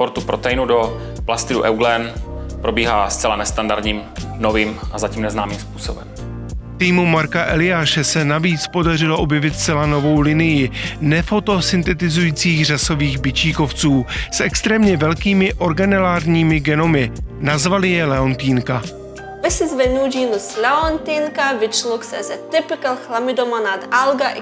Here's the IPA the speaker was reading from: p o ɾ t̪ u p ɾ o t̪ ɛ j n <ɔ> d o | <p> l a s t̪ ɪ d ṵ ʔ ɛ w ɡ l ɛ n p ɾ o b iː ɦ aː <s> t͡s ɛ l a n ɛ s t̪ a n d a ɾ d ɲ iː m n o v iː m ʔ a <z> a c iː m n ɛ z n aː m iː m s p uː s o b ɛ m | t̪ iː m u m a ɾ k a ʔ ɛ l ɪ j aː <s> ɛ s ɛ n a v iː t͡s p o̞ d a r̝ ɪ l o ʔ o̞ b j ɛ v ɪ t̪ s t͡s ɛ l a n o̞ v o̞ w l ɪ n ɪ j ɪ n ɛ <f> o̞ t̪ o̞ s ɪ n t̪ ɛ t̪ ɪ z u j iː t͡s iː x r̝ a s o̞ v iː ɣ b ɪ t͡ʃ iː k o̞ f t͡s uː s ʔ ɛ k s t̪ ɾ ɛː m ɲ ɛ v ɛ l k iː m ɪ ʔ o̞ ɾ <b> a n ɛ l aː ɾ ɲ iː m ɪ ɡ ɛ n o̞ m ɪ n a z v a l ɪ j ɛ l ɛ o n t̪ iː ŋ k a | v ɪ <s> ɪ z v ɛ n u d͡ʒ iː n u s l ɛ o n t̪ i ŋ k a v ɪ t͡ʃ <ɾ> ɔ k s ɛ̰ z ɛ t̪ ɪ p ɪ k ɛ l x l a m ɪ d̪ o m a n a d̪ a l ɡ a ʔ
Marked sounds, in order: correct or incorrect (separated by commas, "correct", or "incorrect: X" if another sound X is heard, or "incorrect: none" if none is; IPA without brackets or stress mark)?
incorrect: u, correct, correct, correct, incorrect: ʃ, correct, incorrect: ɡ, correct, incorrect: l